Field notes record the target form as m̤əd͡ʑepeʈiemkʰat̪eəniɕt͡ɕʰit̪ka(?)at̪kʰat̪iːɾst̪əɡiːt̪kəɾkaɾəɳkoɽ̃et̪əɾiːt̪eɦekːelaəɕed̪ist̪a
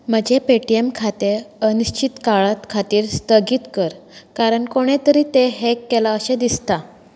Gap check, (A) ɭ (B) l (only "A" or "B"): A